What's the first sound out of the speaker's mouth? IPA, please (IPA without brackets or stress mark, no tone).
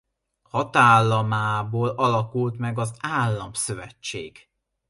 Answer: h